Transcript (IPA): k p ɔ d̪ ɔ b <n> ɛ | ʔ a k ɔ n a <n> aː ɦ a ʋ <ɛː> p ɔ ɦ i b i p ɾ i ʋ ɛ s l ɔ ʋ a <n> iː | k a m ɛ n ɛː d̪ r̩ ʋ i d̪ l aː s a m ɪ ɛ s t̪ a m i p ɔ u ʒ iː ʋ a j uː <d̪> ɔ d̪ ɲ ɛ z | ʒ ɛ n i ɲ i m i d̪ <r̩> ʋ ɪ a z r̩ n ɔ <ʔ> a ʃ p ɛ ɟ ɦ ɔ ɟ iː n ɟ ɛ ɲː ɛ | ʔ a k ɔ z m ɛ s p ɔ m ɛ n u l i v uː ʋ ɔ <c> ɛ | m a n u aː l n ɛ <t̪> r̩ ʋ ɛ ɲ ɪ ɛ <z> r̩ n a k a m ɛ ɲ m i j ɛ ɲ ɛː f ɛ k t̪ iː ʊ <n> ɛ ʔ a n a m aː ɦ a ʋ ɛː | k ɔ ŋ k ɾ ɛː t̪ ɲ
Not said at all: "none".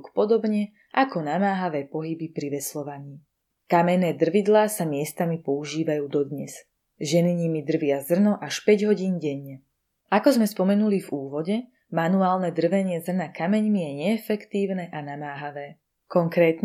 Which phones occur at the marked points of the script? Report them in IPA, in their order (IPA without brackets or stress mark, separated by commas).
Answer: ɲ, m, ɛː, ɲ, d̪, r̩, ʔ, ɟ, d̪, z, n